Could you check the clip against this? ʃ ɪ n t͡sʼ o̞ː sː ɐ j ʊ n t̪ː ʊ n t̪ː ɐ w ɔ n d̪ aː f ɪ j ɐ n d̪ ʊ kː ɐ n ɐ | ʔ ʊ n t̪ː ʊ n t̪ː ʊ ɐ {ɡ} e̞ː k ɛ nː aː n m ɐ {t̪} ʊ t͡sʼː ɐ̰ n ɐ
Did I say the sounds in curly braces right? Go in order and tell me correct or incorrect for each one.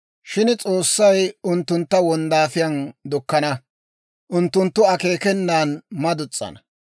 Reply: incorrect, incorrect

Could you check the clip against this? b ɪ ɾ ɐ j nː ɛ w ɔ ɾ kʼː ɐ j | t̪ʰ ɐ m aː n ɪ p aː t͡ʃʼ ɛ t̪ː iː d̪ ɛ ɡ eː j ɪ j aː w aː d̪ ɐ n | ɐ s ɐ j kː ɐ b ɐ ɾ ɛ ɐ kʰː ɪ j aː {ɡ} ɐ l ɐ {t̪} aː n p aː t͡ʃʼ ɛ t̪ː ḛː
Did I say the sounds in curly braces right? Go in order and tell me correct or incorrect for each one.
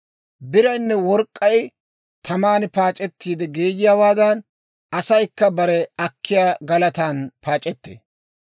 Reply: correct, correct

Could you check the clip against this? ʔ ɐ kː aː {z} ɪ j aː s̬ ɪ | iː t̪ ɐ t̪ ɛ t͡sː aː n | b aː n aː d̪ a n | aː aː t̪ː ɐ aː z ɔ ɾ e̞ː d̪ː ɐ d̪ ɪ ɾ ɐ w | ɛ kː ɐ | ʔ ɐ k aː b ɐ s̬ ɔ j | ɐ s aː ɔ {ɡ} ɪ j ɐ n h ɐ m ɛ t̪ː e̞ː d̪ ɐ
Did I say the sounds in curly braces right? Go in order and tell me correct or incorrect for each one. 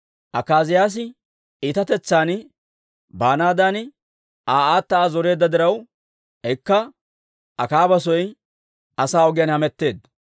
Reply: correct, correct

